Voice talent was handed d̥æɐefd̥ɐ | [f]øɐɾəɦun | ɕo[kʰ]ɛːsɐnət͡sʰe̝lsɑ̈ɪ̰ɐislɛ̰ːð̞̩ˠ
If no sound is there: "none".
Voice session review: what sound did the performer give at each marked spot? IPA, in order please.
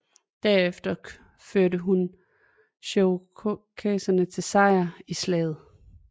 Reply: f, kʰ

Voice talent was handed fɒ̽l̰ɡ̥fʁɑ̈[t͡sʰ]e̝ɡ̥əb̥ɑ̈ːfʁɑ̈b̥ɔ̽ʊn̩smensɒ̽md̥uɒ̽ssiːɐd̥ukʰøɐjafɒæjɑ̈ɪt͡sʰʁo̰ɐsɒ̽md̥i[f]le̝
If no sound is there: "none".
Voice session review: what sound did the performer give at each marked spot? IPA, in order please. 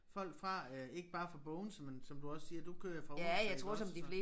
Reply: none, f

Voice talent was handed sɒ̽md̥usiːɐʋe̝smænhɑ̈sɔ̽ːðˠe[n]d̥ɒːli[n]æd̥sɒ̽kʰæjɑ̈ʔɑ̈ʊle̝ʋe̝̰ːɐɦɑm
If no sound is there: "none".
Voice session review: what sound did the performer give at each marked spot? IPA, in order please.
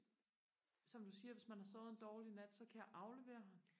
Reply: n, n

